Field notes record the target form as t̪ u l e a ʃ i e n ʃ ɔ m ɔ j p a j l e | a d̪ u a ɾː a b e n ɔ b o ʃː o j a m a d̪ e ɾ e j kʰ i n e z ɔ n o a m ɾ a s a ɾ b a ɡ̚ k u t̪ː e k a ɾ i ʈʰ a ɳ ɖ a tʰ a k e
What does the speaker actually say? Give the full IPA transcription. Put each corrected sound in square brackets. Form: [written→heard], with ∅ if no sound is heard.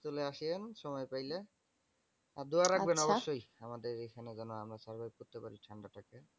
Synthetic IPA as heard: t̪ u l e a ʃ i e n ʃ ɔ m ɔ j p a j l e | a d̪ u a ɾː a b e n ɔ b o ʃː o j a m a d̪ e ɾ e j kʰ [i→a] n e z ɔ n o a m ɾ a s a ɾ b a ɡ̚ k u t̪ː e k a ɾ i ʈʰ a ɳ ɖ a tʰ a k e